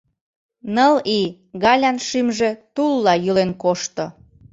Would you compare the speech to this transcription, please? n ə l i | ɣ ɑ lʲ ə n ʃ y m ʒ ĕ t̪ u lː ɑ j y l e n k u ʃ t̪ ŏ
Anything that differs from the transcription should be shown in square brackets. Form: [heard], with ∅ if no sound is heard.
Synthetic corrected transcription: n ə l i | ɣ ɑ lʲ [ɑ] n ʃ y m ʒ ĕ t̪ u lː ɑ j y l e n k [o] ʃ t̪ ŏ